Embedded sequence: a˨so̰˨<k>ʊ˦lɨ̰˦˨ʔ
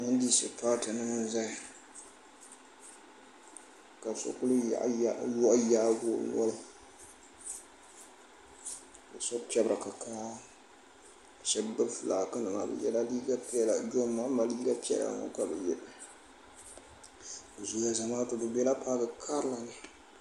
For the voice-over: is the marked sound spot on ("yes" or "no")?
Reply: yes